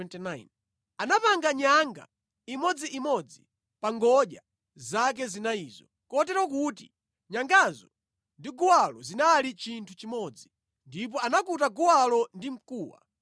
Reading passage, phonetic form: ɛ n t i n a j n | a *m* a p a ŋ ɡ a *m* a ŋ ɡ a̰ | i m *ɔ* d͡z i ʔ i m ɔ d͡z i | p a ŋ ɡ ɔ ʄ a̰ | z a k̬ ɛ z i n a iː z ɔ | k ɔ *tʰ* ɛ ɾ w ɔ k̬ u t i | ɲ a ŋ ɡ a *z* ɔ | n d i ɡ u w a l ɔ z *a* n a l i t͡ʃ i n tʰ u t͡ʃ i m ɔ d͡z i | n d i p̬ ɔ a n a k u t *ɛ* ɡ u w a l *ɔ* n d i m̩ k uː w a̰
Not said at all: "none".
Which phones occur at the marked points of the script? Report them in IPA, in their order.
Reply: n, ɲ, ɔ, t, z, i, a, ɔ

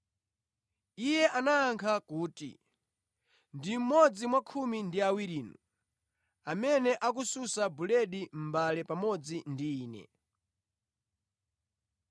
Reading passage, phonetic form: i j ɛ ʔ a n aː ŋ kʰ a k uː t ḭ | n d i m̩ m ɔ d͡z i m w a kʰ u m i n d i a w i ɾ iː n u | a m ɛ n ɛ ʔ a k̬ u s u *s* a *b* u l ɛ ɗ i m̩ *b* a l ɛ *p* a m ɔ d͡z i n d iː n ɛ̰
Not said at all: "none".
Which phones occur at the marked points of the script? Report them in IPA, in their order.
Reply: s, b, b, p

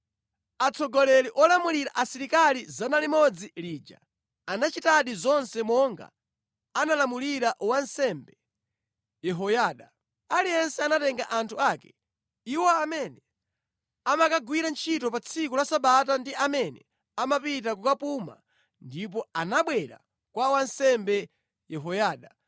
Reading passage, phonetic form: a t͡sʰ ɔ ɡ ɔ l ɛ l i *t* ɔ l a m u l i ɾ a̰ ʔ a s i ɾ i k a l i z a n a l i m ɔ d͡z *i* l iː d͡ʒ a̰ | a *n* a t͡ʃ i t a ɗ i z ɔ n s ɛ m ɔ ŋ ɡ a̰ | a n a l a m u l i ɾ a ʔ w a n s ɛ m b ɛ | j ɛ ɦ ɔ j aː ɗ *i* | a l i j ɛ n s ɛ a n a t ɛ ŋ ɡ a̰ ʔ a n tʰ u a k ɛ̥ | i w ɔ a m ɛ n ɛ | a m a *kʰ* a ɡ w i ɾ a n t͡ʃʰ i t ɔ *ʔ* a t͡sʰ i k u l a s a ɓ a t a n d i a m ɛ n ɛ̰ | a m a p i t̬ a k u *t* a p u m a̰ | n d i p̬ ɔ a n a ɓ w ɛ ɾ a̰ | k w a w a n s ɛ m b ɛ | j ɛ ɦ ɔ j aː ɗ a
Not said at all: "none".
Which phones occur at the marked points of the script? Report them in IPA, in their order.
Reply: ʔ, i, n, a, k, p, k

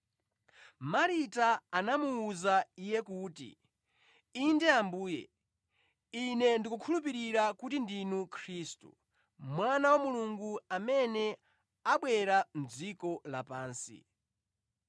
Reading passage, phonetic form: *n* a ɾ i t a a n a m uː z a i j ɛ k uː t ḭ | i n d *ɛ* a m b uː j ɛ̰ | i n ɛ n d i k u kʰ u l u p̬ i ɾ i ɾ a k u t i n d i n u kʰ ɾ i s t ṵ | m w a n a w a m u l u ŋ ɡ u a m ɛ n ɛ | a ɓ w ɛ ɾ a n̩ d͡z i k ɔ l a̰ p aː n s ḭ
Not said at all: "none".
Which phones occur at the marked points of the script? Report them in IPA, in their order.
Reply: m, ɛ

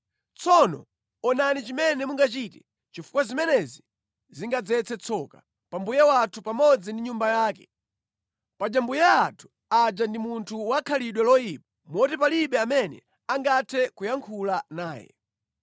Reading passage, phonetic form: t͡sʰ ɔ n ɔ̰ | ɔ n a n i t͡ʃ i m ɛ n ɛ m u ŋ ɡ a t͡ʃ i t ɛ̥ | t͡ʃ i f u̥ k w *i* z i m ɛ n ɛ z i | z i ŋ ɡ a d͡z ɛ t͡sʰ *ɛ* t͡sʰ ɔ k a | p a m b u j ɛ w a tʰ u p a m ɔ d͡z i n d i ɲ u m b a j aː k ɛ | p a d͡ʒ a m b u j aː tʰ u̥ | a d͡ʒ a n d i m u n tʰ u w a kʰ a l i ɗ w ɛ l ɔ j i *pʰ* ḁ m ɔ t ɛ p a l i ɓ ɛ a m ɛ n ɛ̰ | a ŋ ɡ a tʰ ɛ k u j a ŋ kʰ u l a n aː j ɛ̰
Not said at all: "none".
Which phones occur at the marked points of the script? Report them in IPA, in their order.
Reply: a, ɛ, p

